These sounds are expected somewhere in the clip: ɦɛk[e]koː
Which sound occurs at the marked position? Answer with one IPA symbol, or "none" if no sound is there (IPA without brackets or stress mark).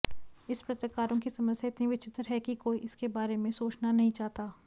i